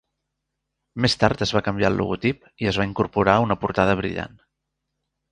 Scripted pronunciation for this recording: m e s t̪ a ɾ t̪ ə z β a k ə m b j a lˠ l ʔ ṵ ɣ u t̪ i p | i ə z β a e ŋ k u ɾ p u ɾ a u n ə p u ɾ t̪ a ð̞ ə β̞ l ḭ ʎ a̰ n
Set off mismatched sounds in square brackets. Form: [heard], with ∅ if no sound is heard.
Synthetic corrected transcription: m e s t̪ a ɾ t̪ ə z β a k ə m b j a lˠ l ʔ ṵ ɣ u t̪ i p | i ə z β a [i] ŋ k u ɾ p u ɾ a u n ə p u ɾ t̪ a ð̞ ə β̞ [ɾ] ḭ ʎ a̰ n

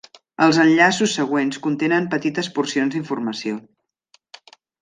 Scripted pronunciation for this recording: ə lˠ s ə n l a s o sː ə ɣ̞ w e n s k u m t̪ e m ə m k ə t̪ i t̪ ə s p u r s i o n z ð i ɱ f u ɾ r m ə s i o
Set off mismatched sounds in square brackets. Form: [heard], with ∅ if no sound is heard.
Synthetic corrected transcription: ə lˠ [z] ə n [ʎ] a s [u] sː ə ɣ̞ w e n s k u [n] t̪ e [n] ə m [p] ə t̪ i t̪ ə s p u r s i o n z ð i ɱ f u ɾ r m ə s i o

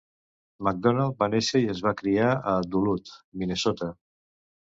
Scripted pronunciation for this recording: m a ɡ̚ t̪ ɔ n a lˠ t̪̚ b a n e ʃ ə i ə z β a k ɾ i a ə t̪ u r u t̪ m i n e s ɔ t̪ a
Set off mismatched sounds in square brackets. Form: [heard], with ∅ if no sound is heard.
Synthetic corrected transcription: m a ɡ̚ [d̪] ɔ n a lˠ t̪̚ b a n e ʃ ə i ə z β a k ɾ i a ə [d̪] u [l] u t̪ m i n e s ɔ t̪ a

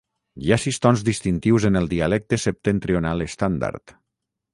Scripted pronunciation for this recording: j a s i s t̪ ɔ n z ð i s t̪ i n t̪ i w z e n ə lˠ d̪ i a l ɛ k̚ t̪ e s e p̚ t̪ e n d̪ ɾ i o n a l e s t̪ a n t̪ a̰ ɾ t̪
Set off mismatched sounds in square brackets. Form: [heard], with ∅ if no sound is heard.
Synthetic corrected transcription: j a s i s t̪ ɔ n z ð i s t̪ i n t̪ i w z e n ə lˠ d̪ i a l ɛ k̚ t̪ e s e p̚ t̪ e n [t̪] ɾ i o n a l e s t̪ a n [d̪] a̰ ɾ t̪

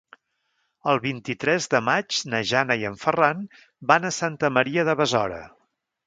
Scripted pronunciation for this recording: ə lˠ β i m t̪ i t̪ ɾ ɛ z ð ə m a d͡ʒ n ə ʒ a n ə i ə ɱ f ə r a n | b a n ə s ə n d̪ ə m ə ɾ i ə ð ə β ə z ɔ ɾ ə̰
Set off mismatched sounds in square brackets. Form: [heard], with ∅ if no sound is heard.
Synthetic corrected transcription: ə lˠ β i [n] t̪ i t̪ ɾ ɛ z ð ə m a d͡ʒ n ə ʒ a n ə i ə ɱ f ə r a n | b a n ə s [a] n [t̪] ə m ə ɾ i ə ð ə β ə z ɔ ɾ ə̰

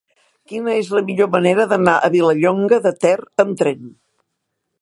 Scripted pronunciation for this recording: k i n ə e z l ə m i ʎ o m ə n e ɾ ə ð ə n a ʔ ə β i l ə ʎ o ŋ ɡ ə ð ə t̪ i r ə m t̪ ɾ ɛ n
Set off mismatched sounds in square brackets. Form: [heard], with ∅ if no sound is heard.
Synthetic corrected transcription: k i n ə e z l ə m i ʎ o m ə n e ɾ ə ð ə n a ʔ ə β i l ə ʎ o ŋ ɡ ə ð ə t̪ [ɛ] r ə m t̪ ɾ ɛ n

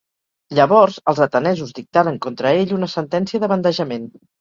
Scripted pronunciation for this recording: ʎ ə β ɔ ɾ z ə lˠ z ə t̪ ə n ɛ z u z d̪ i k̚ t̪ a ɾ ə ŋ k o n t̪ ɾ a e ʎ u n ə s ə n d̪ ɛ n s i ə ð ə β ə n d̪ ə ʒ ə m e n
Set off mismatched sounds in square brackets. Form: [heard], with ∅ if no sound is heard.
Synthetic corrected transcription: ʎ ə β ɔ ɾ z ə lˠ z ə t̪ ə n ɛ z u z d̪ i k̚ t̪ a ɾ ə ŋ k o n t̪ ɾ [ə] e ʎ u n ə s ə n [t̪] ɛ n s i ə ð ə β ə n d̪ ə ʒ ə m e n

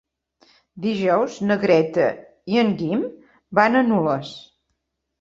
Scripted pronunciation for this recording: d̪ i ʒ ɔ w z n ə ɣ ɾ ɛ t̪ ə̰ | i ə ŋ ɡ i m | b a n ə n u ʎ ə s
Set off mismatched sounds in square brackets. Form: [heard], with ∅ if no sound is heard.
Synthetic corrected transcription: d̪ i ʒ ɔ w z n ə ɣ ɾ ɛ t̪ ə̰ | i ə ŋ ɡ i m | b a n ə n u [l] ə s

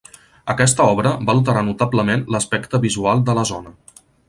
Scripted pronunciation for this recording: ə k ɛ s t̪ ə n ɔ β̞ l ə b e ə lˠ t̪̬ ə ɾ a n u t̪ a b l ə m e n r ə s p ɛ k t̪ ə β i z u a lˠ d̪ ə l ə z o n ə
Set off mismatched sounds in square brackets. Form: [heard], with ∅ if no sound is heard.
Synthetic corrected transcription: ə k ɛ s t̪ ə [∅] ɔ β̞ [ɾ] ə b [a] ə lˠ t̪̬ ə ɾ a n u t̪ a b l ə m e n [l] ə s p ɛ k t̪ ə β i z u a lˠ d̪ ə l ə z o n ə

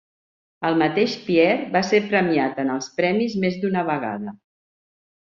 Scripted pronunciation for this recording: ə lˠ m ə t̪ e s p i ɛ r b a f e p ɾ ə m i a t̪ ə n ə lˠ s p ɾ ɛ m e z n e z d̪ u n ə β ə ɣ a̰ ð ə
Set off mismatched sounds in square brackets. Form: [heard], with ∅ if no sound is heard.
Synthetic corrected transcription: ə lˠ m ə t̪ e [ʃ] p i ɛ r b a [s] e p ɾ ə m i a t̪ ə n ə lˠ s p ɾ ɛ m [i] z [m] e z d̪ u n ə β ə ɣ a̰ ð ə

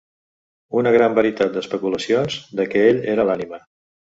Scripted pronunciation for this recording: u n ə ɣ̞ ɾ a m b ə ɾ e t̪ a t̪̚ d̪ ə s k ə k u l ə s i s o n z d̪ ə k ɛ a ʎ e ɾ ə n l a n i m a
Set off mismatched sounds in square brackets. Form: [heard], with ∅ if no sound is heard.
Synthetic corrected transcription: u n ə ɣ̞ ɾ a m b ə ɾ [i] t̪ a t̪̚ d̪ ə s [p] ə k u l ə s i [∅] o n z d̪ ə k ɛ [e] ʎ e ɾ ə [∅] l a n i m [ə]

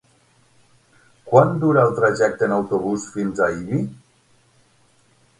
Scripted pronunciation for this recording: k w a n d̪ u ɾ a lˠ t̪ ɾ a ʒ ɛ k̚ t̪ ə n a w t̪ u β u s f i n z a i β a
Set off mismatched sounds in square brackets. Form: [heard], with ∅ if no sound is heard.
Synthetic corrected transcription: k w a n d̪ u ɾ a lˠ t̪ ɾ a ʒ ɛ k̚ t̪ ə n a w t̪ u β u s f i n z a i β [i]

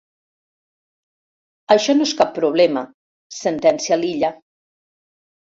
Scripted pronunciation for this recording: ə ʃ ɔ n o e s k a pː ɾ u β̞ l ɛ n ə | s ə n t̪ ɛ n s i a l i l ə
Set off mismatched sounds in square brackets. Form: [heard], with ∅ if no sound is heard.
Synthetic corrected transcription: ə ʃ ɔ n o e s k a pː ɾ u β̞ l ɛ [m] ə | s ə n t̪ ɛ n s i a l i [ʎ] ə

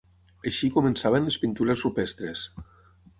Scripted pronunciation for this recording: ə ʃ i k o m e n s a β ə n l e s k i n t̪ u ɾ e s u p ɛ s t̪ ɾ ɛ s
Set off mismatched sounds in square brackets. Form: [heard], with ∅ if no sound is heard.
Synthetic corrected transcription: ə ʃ i k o m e n s a β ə n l e s [p] i n t̪ u ɾ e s u p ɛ s t̪ ɾ [e] s

